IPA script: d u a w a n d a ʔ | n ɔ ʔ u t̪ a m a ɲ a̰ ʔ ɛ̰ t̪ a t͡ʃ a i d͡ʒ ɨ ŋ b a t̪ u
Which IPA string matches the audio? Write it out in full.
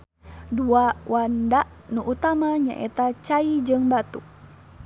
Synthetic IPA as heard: d u a w a n d a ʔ | n u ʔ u t̪ a m a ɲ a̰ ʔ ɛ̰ t̪ a t͡ʃ a i d͡ʒ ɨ ŋ b a t̪ u